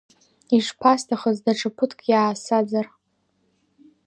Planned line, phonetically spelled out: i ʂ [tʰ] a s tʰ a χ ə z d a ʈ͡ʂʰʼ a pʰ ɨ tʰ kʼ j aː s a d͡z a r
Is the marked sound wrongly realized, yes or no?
yes